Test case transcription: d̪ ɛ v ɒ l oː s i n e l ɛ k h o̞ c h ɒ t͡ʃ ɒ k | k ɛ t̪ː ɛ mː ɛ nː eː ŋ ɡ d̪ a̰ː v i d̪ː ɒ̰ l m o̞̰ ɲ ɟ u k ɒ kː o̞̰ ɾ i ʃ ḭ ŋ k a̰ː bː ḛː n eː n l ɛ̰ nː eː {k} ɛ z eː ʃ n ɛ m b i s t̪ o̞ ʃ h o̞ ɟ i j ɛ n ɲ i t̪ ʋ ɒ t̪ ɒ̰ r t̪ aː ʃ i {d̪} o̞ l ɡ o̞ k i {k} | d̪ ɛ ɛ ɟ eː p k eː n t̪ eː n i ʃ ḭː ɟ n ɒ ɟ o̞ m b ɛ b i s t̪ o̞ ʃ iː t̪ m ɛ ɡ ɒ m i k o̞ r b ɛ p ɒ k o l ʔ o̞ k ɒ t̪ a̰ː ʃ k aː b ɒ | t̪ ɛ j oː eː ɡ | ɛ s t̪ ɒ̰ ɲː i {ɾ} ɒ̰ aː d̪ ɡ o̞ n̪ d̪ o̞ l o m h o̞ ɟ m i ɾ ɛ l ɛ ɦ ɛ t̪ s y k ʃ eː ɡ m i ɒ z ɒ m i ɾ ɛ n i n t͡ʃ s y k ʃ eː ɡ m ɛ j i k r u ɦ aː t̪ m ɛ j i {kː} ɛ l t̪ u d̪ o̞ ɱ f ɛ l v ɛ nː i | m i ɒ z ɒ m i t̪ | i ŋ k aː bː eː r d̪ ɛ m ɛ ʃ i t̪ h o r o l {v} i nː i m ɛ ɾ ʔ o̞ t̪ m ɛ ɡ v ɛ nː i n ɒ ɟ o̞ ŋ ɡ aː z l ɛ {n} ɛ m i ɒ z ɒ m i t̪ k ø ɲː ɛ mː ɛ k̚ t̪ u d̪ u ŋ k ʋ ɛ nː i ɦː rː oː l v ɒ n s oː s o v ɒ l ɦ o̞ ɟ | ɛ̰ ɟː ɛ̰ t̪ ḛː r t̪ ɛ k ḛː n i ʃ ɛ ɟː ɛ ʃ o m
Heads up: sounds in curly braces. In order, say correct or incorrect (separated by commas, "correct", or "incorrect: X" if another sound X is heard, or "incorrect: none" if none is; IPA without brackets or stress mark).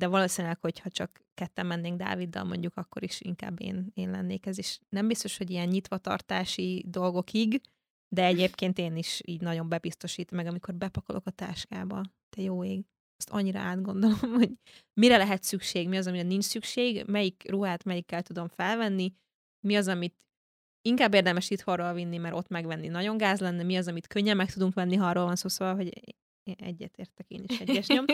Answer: correct, correct, incorrect: ɡ, correct, correct, correct, incorrect: nː